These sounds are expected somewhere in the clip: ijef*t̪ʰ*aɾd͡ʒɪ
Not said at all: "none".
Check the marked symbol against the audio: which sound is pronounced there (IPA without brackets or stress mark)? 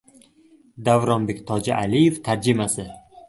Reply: t̪ʰ